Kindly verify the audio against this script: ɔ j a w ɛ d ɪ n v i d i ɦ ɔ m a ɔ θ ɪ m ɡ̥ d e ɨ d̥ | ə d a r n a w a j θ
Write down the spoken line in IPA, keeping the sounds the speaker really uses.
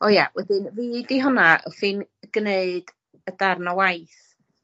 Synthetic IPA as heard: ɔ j a w ɛ d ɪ n v i d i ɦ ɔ n a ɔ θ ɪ n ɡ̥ n e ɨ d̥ | ə d a r n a w a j θ